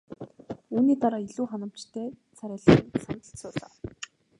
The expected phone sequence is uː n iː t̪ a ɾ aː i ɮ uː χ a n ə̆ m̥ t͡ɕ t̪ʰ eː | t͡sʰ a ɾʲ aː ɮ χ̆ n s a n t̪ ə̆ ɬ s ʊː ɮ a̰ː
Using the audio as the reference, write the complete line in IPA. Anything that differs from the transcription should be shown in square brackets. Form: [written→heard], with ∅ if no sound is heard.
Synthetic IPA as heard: uː n iː t̪ a ɾ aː i ɮ uː χ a n ə̆ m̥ t͡ɕ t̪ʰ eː | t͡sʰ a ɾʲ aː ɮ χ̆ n s a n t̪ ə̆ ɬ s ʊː ɮ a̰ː